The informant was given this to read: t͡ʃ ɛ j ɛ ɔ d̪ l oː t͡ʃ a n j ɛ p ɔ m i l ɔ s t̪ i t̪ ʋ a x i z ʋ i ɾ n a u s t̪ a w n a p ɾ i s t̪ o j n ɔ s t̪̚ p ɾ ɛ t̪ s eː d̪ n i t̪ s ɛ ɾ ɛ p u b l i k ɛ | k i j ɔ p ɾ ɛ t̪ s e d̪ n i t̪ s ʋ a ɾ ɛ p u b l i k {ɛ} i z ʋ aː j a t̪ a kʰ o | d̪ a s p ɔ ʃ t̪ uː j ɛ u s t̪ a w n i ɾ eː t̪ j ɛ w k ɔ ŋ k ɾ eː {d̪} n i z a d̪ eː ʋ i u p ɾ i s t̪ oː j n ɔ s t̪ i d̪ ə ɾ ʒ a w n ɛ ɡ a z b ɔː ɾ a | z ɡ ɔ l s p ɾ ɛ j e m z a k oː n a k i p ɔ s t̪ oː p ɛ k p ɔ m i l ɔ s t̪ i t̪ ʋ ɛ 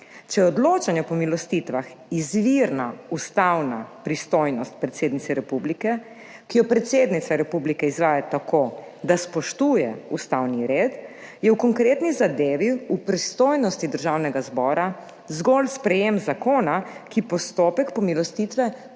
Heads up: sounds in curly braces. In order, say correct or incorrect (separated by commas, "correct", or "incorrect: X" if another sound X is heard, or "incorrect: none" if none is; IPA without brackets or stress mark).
correct, incorrect: t̪